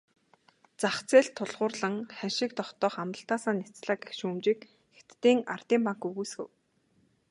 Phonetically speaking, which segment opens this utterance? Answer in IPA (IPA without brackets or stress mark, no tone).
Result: t͡s